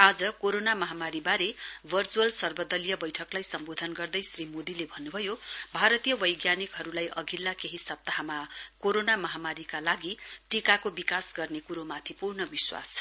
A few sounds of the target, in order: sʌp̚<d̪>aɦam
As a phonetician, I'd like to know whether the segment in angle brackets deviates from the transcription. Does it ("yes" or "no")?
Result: yes